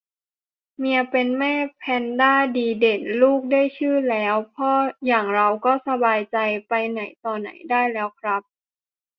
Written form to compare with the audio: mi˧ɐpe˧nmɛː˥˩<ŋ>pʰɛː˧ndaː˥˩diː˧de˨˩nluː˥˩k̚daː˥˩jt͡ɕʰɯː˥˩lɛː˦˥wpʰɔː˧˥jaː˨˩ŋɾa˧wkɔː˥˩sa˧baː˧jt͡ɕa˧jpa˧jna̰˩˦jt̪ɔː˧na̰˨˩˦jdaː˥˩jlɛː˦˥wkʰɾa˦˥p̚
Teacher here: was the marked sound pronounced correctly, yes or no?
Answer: no